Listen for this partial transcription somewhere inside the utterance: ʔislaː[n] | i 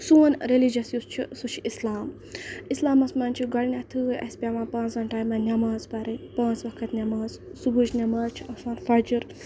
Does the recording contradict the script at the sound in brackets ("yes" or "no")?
yes